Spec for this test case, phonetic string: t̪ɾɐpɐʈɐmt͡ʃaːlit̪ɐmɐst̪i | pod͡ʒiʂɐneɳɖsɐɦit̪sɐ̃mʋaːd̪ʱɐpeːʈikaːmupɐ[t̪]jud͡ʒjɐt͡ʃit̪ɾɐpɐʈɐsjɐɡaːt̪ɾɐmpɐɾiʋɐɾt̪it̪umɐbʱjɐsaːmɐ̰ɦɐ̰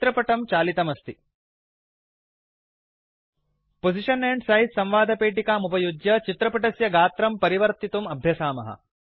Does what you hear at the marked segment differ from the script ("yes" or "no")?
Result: yes